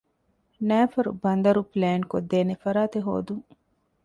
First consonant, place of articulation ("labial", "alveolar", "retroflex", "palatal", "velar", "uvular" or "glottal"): alveolar